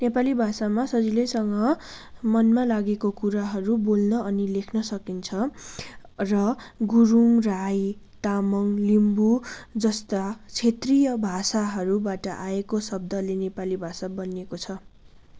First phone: n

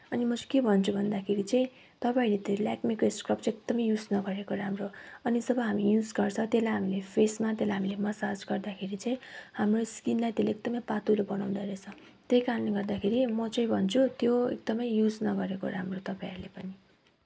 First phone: ʌ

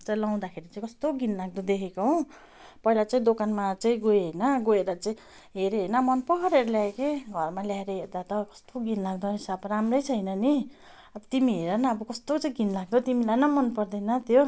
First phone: t͡s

